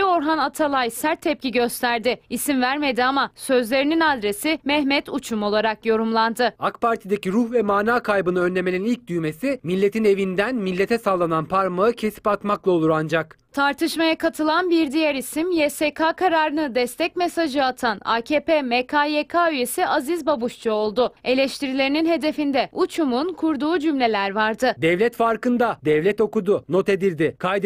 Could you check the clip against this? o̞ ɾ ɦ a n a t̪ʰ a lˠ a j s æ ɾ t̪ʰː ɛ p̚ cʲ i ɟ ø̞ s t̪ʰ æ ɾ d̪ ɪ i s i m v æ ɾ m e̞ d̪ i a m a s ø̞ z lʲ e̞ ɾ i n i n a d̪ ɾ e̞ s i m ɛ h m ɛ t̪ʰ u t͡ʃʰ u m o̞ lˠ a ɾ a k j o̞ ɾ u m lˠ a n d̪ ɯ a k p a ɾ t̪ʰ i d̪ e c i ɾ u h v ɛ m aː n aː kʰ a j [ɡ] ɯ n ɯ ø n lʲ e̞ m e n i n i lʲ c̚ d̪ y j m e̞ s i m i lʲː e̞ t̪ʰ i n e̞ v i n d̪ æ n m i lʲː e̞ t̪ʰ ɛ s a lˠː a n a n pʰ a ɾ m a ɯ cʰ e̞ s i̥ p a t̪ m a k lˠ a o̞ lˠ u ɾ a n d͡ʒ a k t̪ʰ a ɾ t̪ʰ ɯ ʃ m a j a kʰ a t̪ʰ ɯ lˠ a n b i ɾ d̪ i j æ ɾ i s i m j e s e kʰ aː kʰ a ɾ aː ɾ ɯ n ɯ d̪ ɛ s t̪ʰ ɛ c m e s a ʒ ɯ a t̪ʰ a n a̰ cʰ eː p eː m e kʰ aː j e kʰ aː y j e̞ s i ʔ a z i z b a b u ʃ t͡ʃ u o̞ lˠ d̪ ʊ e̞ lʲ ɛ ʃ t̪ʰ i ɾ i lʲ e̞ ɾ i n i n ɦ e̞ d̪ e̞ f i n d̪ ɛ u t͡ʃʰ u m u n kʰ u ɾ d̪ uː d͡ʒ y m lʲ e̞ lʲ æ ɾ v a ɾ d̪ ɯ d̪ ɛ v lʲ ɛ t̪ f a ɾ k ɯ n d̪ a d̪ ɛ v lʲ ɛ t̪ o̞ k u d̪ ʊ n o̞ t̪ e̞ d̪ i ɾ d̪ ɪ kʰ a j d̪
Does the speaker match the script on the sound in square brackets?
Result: no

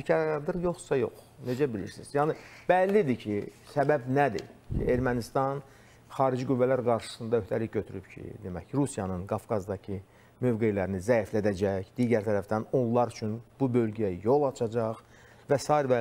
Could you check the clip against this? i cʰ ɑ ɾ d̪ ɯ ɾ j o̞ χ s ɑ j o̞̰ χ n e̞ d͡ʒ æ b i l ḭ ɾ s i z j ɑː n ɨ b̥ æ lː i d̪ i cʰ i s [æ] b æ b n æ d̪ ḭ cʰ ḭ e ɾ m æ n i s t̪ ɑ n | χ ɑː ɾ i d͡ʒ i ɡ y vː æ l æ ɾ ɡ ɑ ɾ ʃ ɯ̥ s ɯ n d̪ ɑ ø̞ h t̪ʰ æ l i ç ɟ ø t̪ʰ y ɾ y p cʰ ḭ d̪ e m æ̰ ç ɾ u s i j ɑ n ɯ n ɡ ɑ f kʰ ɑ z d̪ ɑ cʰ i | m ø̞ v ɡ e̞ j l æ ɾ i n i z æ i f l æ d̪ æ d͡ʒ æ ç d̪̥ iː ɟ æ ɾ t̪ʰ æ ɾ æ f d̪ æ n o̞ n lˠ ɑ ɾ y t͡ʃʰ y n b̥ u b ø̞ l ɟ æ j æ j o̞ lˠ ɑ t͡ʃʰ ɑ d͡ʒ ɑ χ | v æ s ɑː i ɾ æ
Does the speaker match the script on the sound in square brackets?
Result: yes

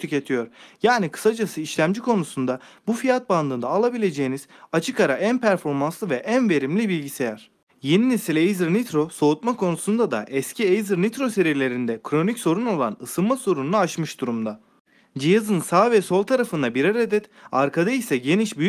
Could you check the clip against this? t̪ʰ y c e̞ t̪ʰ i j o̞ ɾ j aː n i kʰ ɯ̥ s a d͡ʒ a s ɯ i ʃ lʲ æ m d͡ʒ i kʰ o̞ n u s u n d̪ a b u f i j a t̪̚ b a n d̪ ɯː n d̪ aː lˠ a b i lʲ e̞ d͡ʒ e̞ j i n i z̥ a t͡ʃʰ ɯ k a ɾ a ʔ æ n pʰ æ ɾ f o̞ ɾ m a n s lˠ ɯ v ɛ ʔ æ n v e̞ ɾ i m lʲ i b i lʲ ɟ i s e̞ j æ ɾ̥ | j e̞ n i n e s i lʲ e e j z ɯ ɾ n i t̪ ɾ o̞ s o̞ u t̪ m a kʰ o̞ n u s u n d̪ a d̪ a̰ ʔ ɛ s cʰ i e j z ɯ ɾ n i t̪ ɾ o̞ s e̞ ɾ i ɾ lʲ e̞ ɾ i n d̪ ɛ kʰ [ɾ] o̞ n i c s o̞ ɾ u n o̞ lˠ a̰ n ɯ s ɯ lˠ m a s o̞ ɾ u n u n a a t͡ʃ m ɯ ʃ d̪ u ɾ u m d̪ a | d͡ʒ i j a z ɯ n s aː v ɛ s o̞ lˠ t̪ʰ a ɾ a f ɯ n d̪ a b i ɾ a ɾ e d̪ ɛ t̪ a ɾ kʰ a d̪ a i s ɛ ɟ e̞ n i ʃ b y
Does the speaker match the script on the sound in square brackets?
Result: yes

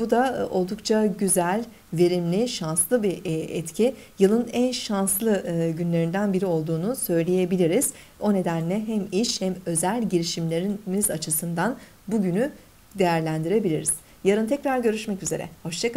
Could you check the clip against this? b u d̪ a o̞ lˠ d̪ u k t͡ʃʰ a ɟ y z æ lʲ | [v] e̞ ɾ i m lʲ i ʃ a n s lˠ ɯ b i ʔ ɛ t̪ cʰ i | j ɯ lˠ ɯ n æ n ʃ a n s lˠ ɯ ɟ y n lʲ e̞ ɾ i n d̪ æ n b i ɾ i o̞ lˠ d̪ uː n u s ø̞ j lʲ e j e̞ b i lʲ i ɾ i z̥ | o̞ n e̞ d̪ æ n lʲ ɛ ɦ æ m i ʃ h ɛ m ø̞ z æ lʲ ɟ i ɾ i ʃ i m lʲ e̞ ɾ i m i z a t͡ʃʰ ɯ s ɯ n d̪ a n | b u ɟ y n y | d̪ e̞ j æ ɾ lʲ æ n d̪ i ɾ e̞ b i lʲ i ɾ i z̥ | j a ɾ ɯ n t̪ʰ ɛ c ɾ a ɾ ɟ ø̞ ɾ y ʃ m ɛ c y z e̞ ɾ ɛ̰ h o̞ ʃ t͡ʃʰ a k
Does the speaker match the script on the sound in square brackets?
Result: yes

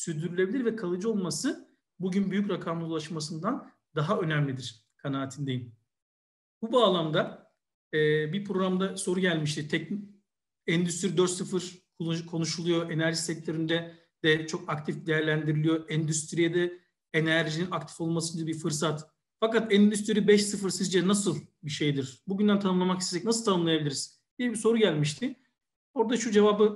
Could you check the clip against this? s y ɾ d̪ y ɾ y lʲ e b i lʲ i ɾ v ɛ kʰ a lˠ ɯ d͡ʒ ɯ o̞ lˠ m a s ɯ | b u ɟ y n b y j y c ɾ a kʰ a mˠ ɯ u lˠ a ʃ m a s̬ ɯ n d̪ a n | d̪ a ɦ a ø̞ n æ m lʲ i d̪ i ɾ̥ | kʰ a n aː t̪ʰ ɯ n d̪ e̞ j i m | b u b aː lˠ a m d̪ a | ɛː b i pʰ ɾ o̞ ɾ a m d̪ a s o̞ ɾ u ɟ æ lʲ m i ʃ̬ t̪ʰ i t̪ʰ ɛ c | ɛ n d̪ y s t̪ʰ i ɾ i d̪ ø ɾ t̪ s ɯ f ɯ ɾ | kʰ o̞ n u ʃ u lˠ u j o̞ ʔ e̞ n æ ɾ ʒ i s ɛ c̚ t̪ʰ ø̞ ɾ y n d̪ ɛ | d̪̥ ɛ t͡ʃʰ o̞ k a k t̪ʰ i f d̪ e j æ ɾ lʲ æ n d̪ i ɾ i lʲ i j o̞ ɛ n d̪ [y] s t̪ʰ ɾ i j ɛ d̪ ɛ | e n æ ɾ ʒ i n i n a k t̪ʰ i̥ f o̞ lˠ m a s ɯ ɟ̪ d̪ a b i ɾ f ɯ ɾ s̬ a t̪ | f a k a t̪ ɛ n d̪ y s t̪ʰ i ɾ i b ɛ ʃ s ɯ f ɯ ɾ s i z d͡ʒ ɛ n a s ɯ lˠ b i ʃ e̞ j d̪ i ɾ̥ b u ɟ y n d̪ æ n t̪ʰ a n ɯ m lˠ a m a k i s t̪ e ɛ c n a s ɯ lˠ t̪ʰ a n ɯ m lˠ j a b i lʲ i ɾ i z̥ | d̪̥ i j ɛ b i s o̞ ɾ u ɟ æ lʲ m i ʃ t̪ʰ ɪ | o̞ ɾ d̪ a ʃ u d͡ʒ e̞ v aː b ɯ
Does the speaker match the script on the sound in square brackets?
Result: yes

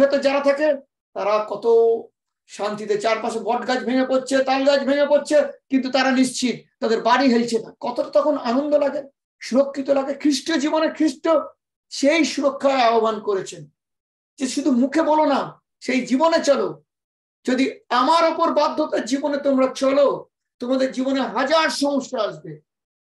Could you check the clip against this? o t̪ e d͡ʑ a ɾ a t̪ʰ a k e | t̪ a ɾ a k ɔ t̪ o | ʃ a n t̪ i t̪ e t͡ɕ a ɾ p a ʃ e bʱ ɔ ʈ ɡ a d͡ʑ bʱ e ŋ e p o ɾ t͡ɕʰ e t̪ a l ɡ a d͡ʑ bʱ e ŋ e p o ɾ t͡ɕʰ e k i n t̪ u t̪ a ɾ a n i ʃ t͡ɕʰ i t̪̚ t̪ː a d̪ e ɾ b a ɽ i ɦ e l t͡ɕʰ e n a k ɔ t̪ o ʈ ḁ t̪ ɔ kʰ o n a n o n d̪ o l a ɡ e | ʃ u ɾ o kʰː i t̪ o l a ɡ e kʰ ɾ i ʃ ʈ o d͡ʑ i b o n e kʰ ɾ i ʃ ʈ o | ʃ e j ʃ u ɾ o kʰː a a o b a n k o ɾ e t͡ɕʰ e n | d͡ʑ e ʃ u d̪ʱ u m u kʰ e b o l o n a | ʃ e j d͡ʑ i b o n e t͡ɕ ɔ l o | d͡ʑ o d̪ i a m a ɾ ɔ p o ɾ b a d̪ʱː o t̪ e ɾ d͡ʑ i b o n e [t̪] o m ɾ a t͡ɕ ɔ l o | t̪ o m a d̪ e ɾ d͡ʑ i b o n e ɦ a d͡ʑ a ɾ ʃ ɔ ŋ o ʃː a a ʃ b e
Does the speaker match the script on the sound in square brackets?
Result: yes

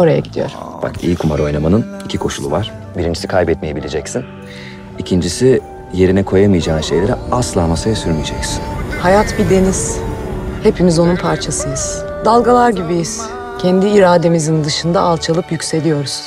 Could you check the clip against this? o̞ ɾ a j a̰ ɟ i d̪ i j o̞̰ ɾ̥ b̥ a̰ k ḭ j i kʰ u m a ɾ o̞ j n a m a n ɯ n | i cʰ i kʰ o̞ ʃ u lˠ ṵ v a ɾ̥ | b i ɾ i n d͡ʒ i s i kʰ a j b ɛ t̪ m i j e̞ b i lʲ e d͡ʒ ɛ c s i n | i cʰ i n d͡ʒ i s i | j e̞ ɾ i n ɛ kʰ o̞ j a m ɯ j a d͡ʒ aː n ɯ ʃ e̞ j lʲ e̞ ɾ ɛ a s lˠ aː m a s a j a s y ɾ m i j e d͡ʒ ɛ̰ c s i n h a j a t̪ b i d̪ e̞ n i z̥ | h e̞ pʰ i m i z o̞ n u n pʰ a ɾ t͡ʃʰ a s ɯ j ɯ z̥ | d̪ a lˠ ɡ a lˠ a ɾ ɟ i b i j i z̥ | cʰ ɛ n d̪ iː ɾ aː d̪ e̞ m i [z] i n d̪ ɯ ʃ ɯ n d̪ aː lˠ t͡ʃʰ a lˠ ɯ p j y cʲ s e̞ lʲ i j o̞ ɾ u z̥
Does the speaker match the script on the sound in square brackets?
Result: yes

